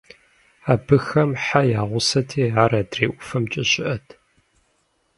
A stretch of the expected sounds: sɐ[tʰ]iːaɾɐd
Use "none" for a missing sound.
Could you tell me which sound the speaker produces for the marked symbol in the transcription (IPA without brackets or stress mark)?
tʰ